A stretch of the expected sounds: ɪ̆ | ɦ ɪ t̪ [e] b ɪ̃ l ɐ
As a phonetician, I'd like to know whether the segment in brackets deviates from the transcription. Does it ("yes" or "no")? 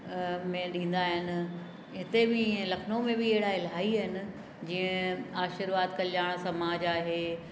no